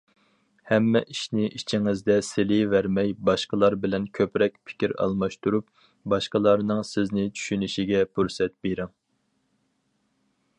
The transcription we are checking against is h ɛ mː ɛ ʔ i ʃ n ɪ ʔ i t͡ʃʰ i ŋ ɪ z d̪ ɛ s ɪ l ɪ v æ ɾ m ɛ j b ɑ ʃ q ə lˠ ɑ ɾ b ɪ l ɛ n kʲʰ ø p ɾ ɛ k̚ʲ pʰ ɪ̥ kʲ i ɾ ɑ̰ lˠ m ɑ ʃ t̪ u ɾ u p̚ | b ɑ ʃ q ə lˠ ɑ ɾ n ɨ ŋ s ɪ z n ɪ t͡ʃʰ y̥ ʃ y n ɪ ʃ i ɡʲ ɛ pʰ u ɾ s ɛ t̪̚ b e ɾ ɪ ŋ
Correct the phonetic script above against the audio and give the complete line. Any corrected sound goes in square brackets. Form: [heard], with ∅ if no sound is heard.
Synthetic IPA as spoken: h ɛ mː ɛ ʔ i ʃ n ɪ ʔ i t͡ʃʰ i ŋ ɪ z d̪ ɛ s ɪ l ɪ v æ ɾ m ɛ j b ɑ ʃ q ə lˠ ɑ ɾ b ɪ l ɛ n kʲʰ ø p ɾ ɛ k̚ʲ pʰ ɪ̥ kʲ i ɾ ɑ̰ lˠ m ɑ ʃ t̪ u ɾ u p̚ | b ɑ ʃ q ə lˠ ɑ ɾ n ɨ ŋ s ɪ z n ɪ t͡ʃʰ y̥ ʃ y n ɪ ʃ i ɡʲ ɛ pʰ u ɾ s ɛ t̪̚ b e ɾ ɪ ŋ